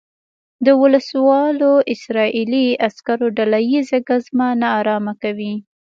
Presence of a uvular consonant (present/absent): absent